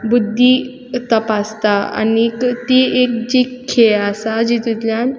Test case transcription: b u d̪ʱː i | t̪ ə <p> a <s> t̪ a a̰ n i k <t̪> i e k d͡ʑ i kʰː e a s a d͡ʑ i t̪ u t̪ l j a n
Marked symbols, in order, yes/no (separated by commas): yes, yes, yes